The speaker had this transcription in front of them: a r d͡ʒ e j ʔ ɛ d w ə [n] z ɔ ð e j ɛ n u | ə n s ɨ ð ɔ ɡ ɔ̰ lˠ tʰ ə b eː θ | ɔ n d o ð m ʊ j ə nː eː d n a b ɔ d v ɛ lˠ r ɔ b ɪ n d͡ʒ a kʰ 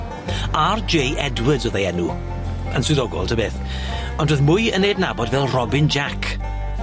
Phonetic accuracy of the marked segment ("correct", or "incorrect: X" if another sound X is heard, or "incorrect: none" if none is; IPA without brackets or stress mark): incorrect: d